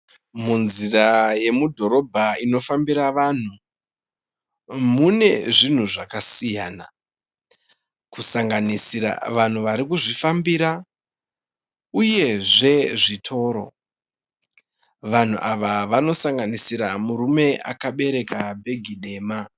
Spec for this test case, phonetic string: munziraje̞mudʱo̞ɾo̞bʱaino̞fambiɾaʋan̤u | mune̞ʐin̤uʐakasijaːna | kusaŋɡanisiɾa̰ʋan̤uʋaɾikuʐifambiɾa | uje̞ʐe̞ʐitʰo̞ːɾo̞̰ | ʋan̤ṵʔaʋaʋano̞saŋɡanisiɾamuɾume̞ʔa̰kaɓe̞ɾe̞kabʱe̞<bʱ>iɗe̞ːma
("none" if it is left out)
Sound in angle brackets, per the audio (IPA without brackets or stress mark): ɡʱ